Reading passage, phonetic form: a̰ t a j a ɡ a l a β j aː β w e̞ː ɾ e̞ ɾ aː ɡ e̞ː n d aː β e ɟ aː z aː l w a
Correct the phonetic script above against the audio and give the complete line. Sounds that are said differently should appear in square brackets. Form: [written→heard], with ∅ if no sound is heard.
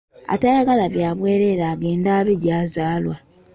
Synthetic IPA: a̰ t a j a ɡ a l a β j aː β w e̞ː ɾ e̞ ɾ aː ɡ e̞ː n d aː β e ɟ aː z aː l w a